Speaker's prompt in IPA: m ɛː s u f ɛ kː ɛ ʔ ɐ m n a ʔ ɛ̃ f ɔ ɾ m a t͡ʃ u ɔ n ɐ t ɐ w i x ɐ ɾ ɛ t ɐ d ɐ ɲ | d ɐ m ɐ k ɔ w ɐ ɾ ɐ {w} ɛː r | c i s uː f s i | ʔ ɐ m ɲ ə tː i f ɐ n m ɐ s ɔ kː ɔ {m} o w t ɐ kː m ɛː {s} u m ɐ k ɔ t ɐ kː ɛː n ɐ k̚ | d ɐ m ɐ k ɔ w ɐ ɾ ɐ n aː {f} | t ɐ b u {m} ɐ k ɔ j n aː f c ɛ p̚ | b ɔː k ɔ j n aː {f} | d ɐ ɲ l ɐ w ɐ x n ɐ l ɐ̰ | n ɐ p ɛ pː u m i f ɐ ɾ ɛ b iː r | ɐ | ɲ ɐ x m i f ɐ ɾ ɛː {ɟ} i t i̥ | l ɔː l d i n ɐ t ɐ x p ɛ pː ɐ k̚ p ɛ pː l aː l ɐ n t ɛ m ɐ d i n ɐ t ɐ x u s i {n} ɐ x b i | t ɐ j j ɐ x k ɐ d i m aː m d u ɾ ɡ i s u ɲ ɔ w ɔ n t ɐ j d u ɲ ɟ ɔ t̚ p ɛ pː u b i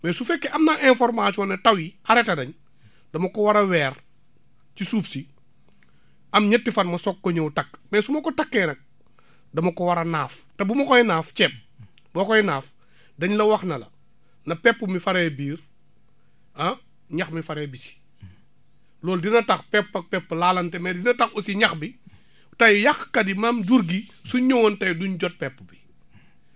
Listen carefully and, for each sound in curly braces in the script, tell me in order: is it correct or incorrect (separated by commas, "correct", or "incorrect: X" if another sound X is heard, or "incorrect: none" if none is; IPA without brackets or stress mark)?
correct, incorrect: ɲ, correct, correct, correct, correct, incorrect: b, incorrect: ɲ